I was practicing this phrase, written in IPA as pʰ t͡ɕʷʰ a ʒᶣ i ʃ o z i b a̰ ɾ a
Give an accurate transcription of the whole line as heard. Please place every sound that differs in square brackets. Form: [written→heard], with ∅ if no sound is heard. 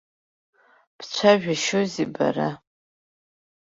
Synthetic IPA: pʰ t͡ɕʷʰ a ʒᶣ [i→a] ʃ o z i b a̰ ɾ a